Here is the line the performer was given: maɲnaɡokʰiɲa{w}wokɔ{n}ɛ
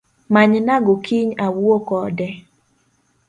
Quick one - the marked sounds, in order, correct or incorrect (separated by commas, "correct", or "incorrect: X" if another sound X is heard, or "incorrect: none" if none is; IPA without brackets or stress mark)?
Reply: correct, incorrect: d